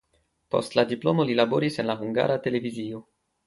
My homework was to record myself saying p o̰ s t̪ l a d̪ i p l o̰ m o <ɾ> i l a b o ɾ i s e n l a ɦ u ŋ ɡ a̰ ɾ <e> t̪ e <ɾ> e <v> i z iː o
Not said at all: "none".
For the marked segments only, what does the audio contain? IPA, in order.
l, a, l, v

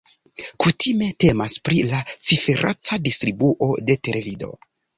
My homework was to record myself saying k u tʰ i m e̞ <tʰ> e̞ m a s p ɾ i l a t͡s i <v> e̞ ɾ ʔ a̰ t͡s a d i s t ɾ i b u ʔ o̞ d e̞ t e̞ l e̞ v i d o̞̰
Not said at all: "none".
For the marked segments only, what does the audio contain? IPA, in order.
t, f

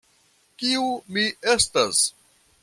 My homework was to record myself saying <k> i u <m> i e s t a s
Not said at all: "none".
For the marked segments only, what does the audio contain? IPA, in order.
k, m

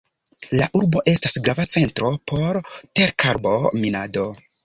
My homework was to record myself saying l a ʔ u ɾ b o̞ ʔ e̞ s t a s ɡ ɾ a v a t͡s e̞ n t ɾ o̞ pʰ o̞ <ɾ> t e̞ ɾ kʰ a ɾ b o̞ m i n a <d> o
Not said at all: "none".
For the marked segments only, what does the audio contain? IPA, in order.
ɾ, d

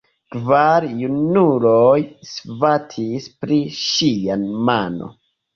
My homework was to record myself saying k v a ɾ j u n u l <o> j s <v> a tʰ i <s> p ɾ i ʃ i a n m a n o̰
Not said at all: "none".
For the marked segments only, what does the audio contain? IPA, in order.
o, v, s

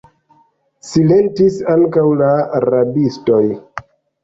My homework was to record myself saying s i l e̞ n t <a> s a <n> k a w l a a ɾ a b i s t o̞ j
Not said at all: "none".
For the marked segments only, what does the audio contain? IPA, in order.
i, ŋ

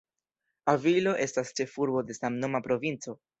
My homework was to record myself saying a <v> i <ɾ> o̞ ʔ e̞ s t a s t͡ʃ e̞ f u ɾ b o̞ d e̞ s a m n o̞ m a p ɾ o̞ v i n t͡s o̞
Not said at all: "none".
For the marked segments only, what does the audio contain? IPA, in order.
v, l

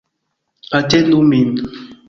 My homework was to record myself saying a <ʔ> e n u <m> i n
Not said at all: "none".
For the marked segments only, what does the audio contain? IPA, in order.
t, m

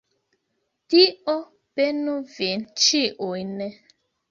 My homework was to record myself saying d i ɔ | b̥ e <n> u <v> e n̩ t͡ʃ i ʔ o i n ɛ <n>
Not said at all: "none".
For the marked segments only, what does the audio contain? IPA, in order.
n, v, none

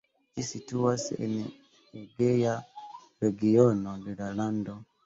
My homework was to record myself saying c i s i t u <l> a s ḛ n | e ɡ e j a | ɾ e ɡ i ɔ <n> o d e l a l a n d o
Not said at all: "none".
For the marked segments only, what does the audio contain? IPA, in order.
none, n

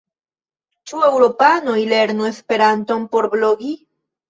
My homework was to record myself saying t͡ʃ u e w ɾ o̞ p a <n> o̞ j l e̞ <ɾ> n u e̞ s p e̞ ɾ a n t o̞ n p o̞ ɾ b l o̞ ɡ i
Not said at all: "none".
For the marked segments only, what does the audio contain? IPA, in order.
n, ɾ

